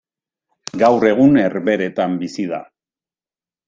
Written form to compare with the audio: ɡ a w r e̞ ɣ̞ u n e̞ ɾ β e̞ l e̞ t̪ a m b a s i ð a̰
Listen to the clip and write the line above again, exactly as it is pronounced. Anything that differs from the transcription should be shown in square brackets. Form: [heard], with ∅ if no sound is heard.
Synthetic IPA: ɡ a w r e̞ ɣ̞ u n e̞ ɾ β e̞ [ɾ] e̞ t̪ a m b [i] s i ð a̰